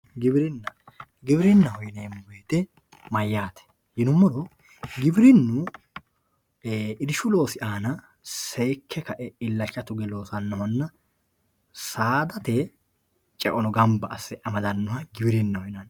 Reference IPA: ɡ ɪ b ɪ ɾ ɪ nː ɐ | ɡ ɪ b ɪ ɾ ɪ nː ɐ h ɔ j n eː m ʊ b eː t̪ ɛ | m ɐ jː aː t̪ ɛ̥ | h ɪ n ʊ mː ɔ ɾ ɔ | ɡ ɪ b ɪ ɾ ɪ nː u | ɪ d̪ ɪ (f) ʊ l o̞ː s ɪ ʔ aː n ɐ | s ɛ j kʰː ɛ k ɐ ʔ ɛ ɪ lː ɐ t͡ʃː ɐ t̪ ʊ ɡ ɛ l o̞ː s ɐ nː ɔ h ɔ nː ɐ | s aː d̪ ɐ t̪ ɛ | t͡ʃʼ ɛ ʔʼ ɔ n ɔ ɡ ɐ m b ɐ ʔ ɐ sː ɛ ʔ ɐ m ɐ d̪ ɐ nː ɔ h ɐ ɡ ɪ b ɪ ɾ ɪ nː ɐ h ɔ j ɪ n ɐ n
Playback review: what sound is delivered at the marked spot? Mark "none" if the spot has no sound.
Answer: ʃ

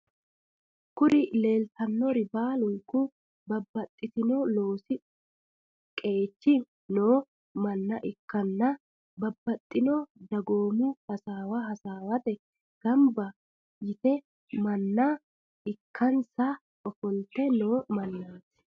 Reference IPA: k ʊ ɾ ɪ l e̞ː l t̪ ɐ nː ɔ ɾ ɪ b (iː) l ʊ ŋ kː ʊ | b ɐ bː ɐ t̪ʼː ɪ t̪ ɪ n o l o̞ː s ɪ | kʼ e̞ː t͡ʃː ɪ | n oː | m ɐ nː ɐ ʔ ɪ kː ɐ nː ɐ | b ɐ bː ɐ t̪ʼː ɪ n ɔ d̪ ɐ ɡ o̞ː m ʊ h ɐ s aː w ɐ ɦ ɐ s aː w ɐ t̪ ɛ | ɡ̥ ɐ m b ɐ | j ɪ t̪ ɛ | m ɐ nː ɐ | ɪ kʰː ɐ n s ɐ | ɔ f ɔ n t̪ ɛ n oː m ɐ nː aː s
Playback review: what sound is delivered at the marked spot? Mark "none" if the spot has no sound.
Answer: aː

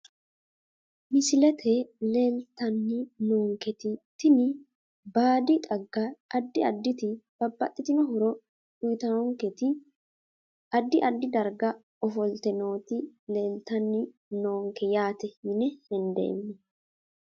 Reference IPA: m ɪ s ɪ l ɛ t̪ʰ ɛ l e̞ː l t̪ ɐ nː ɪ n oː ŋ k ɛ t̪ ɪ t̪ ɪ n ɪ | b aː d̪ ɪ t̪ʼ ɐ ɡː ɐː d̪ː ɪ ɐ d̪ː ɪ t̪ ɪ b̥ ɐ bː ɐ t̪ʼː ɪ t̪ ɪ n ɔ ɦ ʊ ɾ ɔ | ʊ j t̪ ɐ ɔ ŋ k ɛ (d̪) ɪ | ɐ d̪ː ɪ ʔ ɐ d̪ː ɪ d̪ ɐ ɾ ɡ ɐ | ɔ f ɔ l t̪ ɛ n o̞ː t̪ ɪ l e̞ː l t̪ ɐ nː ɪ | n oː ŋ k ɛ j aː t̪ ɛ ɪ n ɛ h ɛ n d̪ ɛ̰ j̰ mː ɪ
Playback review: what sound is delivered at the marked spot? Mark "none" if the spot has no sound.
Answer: t̪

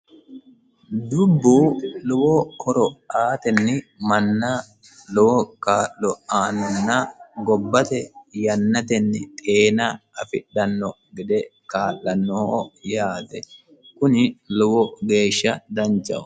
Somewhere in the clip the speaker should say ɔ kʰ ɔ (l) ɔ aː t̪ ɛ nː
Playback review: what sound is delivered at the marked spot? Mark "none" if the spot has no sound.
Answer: ɾ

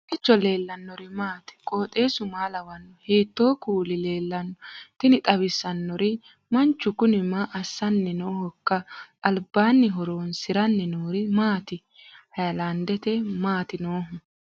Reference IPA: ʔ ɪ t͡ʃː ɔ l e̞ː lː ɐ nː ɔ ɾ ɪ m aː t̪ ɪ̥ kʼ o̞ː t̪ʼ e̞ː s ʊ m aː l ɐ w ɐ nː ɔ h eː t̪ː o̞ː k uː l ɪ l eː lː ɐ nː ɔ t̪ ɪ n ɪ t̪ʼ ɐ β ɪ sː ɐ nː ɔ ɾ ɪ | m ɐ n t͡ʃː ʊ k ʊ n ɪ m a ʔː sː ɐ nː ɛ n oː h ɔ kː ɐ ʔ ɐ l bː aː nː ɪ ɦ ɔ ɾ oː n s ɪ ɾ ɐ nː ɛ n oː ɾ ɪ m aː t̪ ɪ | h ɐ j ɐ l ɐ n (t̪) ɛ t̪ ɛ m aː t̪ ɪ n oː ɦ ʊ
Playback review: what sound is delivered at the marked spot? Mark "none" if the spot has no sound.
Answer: d̪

